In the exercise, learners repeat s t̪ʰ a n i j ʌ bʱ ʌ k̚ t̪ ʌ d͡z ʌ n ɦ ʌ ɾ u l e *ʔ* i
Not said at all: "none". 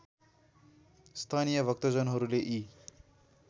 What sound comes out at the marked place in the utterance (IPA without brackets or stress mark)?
ʔ